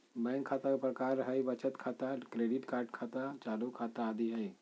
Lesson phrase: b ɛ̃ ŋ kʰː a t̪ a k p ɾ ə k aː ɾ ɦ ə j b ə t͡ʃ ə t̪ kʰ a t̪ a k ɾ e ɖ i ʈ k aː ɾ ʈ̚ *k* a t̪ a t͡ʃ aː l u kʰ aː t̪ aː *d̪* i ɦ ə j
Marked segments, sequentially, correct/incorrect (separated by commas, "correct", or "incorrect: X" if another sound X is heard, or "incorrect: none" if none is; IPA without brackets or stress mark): incorrect: kʰ, correct